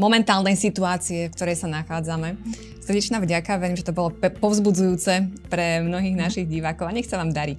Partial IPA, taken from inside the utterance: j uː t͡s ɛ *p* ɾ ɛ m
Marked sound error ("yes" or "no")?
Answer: no